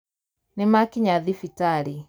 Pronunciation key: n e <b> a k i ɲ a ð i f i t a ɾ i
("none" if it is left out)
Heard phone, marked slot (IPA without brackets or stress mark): m